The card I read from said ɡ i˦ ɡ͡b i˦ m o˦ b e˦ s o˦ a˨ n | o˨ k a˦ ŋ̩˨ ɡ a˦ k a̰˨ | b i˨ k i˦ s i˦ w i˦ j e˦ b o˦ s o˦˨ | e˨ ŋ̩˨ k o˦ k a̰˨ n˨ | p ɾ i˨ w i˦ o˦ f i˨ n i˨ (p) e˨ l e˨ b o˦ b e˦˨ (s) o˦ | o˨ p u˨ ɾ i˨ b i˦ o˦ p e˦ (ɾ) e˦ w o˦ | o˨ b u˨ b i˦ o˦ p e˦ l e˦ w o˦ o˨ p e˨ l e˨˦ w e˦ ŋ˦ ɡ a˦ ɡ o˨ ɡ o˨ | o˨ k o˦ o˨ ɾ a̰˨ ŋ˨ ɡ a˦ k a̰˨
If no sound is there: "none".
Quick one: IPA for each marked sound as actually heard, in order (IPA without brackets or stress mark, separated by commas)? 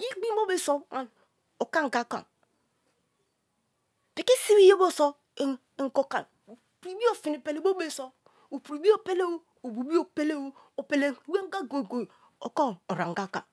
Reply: p, s, l